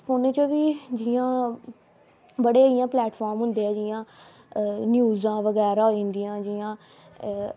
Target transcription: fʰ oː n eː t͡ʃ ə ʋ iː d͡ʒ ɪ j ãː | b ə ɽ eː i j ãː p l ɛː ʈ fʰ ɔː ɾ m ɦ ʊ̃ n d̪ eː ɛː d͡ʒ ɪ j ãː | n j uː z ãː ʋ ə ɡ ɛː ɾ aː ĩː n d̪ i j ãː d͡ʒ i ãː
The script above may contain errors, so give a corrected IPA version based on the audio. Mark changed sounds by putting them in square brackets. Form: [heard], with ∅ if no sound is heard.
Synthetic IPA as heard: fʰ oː n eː t͡ʃ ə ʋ iː d͡ʒ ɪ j ãː | b ə ɽ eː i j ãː p l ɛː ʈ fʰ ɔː ɾ m ɦ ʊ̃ n d̪ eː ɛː d͡ʒ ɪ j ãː | n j uː z ãː ʋ ə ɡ ɛː ɾ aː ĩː n d̪ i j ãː d͡ʒ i ãː

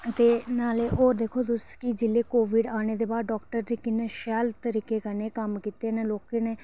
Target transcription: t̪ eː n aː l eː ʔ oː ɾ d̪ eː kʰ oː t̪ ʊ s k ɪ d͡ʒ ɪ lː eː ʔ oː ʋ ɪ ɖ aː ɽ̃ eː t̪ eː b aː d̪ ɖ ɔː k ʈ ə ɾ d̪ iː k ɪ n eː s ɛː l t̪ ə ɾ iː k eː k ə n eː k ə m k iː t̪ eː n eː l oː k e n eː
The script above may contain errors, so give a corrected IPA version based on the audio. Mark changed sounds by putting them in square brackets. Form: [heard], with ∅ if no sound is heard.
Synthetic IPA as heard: t̪ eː n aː l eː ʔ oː ɾ d̪ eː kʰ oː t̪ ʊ s k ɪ d͡ʒ ɪ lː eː [k] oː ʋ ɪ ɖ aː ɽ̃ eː [d̪] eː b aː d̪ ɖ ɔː k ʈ ə ɾ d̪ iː k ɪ n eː [ʃ] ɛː l t̪ ə ɾ iː k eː k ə n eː k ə m k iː t̪ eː n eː l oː k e n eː

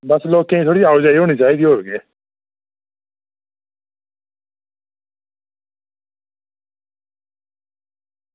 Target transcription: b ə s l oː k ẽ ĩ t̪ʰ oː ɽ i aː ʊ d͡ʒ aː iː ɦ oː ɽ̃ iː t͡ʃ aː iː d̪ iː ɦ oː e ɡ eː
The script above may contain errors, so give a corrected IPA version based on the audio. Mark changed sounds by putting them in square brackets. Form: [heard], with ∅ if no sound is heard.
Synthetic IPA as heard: b ə s l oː k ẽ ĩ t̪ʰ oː ɽ i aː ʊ d͡ʒ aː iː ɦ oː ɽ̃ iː t͡ʃ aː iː d̪ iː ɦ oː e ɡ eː

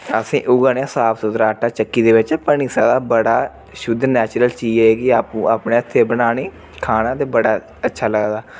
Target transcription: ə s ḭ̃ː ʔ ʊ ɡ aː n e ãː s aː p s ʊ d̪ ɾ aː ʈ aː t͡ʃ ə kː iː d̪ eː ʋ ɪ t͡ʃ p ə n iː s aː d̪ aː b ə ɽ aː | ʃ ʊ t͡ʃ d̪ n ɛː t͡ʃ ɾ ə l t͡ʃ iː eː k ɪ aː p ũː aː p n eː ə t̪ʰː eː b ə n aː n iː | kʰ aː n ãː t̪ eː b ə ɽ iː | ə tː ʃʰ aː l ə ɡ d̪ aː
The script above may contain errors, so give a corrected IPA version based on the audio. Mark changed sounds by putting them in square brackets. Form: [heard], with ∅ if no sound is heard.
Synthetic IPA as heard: ə s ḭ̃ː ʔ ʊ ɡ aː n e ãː s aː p s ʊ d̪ ɾ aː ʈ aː t͡ʃ ə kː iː d̪ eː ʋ ɪ t͡ʃ p ə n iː s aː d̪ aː b ə ɽ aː | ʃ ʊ [∅] d̪ n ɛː t͡ʃ ɾ ə l t͡ʃ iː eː k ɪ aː p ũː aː p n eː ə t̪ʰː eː b ə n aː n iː | kʰ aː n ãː t̪ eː b ə ɽ [aː] | ə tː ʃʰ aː l ə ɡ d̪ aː

